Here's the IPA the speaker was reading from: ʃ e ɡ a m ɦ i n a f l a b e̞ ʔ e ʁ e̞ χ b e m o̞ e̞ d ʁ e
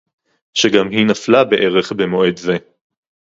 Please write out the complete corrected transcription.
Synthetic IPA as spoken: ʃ e ɡ a m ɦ i n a f l a b e̞ ʔ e ʁ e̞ χ b e m o̞ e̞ d z e

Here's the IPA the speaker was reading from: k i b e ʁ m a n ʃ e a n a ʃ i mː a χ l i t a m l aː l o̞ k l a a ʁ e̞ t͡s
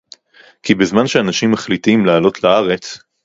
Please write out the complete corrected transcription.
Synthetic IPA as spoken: k i b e z m a n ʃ e a n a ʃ i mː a χ l i t i m l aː l o̞ t l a a ʁ e̞ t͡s

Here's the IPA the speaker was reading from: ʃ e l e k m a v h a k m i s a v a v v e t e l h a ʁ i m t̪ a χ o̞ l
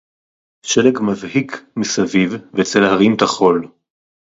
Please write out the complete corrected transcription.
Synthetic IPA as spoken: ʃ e l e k m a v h i k m i s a v i v v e t͡s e l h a ʁ i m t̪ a χ o̞ l

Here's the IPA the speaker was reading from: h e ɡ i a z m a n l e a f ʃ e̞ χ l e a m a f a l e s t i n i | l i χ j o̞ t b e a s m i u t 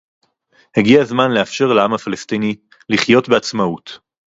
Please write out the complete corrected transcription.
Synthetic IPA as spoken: h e ɡ i a z m a n l e a f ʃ e̞ ʁ l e a m a f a l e s t i n i | l i χ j o̞ t b e a t͡s m a u t

